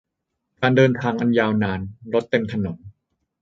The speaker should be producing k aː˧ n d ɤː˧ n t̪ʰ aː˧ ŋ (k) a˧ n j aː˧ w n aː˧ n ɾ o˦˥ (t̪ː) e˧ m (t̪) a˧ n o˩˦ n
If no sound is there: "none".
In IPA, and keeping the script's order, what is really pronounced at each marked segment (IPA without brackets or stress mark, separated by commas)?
ʔ, t̪ː, t̪ʰ